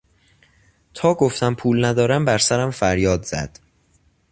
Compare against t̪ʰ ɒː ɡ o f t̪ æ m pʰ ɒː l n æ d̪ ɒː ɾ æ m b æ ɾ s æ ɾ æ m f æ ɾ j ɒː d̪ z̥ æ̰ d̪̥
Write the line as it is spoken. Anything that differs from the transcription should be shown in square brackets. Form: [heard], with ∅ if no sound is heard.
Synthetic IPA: t̪ʰ ɒː ɡ o f t̪ æ m pʰ [uː] l n æ d̪ ɒː ɾ æ m b æ ɾ s æ ɾ æ m f æ ɾ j ɒː d̪ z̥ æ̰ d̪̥